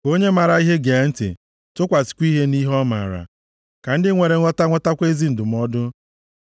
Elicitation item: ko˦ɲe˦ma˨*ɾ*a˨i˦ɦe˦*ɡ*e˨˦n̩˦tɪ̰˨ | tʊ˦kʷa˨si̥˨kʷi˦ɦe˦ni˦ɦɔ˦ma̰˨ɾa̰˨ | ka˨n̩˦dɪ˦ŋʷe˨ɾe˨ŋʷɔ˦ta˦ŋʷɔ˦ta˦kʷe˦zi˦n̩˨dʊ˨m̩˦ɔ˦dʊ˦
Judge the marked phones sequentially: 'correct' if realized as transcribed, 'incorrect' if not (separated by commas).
correct, correct